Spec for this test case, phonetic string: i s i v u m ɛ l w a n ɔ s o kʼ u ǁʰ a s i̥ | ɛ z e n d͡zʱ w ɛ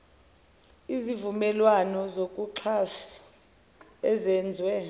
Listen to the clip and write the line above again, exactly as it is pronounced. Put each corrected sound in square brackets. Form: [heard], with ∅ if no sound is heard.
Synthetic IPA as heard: i [z] i v u m ɛ l w a n ɔ [z] o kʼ u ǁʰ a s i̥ | ɛ z [ɛ] n d͡zʱ w ɛ